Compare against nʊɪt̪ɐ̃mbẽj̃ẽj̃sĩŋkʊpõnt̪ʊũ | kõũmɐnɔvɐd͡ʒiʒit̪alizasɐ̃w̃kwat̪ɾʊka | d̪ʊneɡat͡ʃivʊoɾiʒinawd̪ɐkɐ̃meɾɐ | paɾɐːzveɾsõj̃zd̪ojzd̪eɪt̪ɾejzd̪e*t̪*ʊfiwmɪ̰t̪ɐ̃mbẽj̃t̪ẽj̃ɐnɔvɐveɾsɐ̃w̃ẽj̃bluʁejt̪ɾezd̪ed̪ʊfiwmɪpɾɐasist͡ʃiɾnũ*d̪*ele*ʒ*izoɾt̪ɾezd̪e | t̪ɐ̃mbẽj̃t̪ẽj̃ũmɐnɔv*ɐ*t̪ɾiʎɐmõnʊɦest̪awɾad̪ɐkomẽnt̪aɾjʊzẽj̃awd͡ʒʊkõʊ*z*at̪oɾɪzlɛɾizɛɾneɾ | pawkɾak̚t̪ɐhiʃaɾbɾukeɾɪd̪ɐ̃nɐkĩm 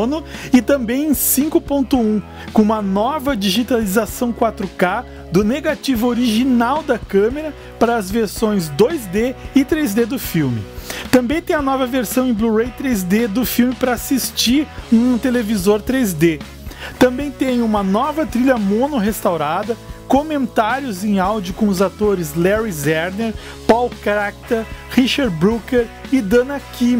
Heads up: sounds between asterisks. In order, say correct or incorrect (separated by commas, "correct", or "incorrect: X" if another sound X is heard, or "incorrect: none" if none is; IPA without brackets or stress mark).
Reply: incorrect: d̪, incorrect: t̪, incorrect: v, correct, correct